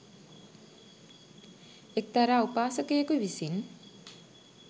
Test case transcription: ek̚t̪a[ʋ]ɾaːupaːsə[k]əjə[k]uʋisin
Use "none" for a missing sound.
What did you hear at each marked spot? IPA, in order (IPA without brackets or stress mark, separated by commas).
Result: none, k, k